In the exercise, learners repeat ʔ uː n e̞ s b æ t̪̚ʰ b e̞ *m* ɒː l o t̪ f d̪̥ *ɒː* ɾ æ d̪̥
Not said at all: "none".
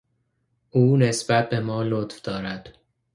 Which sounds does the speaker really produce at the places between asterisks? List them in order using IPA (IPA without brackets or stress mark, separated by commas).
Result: m, ɒː